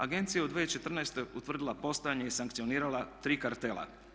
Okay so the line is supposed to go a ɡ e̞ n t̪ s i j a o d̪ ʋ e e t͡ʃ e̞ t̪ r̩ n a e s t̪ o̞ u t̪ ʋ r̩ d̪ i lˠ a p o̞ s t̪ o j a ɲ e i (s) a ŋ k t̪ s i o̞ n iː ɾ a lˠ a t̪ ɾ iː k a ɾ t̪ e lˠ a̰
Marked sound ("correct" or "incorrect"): correct